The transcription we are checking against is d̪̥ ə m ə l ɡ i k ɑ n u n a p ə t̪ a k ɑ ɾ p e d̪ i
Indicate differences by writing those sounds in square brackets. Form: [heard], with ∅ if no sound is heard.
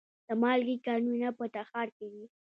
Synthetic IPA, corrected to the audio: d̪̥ ə m [ɑ] l ɡ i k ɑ n u n a p ə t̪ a [x] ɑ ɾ [k] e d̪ i